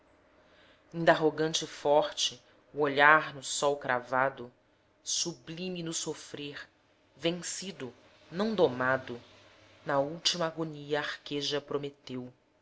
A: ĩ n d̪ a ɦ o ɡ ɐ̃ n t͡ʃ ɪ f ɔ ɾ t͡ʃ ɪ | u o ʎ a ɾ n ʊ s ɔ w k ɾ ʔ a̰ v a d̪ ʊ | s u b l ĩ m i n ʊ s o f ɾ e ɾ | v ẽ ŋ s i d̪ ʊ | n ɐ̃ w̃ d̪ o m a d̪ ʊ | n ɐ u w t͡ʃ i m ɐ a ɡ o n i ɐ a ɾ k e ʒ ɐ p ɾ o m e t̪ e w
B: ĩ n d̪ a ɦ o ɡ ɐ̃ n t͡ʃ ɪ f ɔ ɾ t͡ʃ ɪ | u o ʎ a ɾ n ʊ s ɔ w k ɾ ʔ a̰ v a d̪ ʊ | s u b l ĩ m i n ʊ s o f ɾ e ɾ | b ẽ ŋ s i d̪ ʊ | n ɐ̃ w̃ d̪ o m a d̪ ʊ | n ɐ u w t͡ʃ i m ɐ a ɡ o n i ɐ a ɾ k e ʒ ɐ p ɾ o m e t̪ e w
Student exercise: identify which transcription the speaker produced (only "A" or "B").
A